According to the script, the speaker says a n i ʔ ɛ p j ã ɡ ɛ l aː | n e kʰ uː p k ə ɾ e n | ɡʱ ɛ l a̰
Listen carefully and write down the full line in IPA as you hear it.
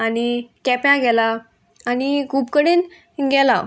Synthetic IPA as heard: a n i k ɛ p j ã ɡ ɛ l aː | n i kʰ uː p k ə ɽ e n | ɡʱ ɛ l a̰